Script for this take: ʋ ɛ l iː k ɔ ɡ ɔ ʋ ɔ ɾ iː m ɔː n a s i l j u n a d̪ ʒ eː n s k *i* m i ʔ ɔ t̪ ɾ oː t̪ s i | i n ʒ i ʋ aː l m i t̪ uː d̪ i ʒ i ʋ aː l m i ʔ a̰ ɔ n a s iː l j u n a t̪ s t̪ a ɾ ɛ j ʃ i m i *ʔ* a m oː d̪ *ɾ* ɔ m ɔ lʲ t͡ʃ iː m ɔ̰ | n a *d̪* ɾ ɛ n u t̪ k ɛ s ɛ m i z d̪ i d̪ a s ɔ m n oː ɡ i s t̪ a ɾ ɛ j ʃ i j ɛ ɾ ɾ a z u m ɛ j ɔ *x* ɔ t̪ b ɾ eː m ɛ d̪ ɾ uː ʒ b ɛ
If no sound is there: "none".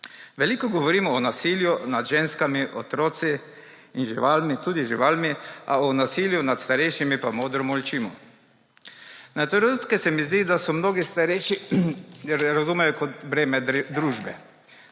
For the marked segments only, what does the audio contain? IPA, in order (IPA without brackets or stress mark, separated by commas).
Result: a, p, ɾ, t̪, k